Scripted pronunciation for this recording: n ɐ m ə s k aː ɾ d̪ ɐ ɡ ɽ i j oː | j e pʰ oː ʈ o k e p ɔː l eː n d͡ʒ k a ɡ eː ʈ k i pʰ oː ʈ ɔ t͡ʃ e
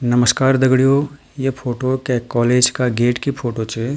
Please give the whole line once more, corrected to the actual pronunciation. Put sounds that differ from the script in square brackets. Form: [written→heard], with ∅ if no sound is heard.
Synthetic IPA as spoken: n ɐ m ə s k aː ɾ d̪ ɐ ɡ ɽ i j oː | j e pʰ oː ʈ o k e [p→k] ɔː l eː [n→∅] d͡ʒ k a ɡ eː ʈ k i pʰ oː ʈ [ɔ→o] t͡ʃ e